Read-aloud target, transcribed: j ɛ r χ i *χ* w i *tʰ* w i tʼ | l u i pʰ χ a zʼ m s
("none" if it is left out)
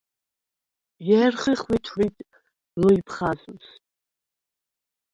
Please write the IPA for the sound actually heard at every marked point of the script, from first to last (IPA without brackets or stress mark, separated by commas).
χ, tʰ